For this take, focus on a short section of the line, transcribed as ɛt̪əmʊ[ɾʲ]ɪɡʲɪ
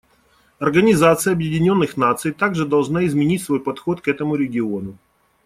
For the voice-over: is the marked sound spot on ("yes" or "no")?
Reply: yes